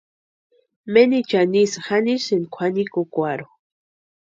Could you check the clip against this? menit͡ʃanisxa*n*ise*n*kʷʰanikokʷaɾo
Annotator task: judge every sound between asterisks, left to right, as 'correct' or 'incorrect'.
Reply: correct, correct

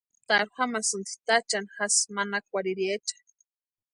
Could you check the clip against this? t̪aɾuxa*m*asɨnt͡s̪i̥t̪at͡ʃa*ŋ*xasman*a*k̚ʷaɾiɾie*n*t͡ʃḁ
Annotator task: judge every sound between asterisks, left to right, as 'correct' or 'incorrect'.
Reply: correct, incorrect: n, correct, incorrect: none

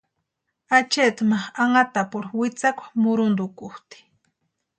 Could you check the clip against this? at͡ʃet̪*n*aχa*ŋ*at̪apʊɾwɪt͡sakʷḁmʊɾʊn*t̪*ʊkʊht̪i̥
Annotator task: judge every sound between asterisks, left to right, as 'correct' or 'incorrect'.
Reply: incorrect: m, correct, incorrect: d̪

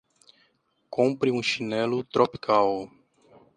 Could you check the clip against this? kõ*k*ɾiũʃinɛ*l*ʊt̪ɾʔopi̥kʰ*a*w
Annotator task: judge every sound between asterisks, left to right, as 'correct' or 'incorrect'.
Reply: incorrect: p, correct, correct

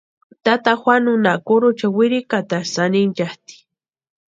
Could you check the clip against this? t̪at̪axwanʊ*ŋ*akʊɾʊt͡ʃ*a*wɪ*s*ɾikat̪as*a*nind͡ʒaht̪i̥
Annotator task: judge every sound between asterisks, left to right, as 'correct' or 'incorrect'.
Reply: incorrect: n, correct, incorrect: none, correct

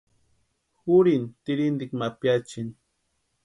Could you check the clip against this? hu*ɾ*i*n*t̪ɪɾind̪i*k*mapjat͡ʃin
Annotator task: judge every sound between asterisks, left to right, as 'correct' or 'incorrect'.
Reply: correct, correct, correct

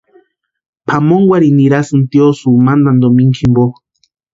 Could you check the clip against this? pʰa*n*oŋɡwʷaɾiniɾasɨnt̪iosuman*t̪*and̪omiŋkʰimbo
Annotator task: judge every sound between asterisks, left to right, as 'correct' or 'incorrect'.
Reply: incorrect: m, incorrect: d̪

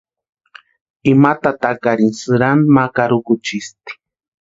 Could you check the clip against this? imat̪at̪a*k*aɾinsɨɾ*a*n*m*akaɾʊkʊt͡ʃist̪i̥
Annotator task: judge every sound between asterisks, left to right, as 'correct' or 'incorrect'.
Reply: correct, correct, correct

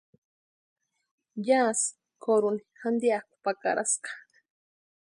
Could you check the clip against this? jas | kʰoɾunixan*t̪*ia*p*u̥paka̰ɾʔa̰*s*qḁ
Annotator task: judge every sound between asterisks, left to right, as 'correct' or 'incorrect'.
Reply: incorrect: d̪, incorrect: k, correct

